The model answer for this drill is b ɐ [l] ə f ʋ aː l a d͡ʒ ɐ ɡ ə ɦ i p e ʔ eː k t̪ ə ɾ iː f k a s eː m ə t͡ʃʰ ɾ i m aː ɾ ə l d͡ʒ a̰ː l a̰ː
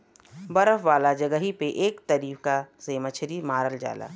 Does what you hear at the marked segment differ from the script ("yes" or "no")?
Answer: yes